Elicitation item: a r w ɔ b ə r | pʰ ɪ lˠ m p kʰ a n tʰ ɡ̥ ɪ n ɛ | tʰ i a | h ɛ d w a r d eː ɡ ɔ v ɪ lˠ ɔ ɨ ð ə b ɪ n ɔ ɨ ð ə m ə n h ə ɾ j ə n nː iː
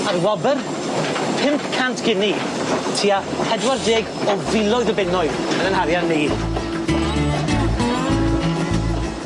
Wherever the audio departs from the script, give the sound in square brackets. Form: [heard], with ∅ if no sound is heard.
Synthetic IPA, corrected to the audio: a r w ɔ b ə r | pʰ ɪ [∅] m p kʰ a n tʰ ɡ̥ ɪ n [i] | tʰ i a | h ɛ d w a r d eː ɡ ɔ v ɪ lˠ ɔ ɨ ð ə b ɪ n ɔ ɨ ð ə [n] ə n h [a] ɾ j [a] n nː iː

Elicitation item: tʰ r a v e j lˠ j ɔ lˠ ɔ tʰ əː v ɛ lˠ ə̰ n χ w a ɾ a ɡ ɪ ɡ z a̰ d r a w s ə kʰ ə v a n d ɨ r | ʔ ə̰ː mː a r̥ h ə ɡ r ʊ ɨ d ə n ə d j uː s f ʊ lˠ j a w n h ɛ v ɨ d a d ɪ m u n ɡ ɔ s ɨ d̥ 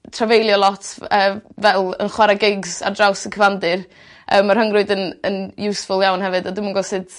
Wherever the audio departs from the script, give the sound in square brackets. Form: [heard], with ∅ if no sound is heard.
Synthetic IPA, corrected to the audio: tʰ r a v e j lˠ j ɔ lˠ ɔ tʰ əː v ɛ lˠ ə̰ n χ w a ɾ a ɡ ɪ ɡ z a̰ d r a w s ə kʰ ə v a n d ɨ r | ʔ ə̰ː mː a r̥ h ə [ŋ] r ʊ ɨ d ə n ə [n] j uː s f ʊ lˠ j a w n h ɛ v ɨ d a d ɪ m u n ɡ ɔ s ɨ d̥

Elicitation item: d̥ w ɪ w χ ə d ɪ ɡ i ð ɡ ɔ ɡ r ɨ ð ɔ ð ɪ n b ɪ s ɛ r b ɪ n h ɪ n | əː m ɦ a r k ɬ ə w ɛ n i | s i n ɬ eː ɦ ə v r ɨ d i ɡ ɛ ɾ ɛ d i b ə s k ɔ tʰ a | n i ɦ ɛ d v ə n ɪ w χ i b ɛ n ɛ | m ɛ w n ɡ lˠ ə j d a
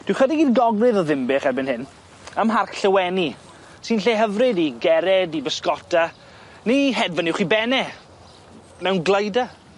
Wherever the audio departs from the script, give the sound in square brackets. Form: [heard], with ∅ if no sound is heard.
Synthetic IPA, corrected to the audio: d̥ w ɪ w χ ə d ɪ ɡ i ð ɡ ɔ ɡ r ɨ ð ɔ ð ɪ [m] b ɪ [χ] ɛ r b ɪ n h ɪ n | [ə] m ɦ a r k ɬ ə w ɛ n i | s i n ɬ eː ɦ ə v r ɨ d i ɡ ɛ ɾ ɛ d i b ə s k ɔ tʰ a | n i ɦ ɛ d v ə n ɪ w χ i b ɛ n ɛ | m ɛ w n ɡ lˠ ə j d a

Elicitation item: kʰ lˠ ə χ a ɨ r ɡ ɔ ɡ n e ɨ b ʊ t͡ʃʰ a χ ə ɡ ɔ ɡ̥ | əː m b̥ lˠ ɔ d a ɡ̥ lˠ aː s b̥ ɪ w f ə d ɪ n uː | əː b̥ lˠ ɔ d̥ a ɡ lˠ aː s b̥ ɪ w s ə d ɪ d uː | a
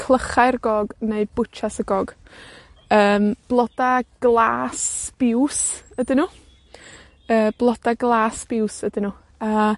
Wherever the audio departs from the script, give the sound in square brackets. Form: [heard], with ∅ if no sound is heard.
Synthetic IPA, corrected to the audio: kʰ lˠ ə χ a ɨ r ɡ ɔ ɡ n e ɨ b ʊ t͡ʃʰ a [s] ə ɡ ɔ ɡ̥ | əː m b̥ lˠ ɔ d a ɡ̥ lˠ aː s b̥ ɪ w [s] ə d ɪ n uː | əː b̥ lˠ ɔ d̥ a ɡ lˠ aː s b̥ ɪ w s ə d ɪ [n] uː | a

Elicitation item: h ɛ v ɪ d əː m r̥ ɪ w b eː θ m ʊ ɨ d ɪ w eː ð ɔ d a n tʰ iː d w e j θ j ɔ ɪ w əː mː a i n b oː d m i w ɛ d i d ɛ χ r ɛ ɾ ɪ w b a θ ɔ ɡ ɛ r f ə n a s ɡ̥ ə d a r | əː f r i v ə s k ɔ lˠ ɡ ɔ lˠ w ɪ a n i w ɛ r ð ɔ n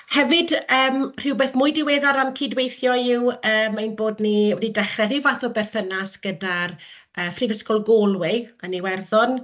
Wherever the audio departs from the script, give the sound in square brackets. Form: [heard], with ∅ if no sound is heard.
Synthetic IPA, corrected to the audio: h ɛ v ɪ d əː m r̥ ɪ w b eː θ m ʊ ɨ d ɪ w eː ð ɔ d a n [kʰ] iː d w e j θ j ɔ ɪ w əː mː a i n b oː d [n] i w ɛ d i d ɛ χ r ɛ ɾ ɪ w [v] a θ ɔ [b] ɛ r [θ] ə n a s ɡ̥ ə d a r | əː f r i v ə s k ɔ lˠ ɡ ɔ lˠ w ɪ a n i w ɛ r ð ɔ n

